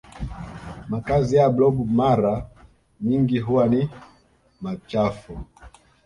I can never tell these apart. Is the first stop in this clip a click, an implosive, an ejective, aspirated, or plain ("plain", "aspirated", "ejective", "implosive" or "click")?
plain